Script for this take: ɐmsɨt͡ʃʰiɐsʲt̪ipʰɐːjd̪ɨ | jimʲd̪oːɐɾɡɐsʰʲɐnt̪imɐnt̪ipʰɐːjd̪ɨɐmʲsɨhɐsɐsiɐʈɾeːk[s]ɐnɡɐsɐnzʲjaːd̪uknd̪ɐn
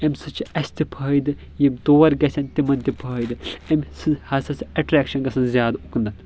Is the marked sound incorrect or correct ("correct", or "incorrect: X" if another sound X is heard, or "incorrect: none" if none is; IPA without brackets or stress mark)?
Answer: incorrect: ʃ